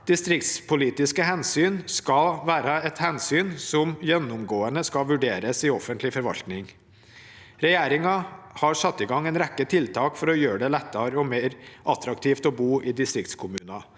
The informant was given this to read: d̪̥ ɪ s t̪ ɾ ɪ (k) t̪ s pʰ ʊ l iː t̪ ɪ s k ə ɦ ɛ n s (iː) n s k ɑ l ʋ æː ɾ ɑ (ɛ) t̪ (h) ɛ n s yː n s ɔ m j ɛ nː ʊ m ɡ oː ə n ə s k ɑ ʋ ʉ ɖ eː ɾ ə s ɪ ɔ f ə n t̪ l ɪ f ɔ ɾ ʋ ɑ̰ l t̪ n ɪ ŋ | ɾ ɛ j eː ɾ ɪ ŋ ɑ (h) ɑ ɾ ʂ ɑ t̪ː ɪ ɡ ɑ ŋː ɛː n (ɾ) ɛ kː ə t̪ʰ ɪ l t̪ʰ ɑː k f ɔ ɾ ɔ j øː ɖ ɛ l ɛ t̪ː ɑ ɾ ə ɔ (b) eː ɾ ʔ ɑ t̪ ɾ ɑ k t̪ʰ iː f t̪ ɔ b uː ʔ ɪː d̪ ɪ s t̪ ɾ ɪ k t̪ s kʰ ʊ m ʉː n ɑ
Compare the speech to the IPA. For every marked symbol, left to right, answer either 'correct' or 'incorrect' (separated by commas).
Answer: correct, incorrect, correct, correct, correct, correct, incorrect